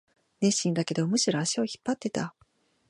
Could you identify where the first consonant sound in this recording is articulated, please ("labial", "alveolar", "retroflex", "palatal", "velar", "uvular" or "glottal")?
alveolar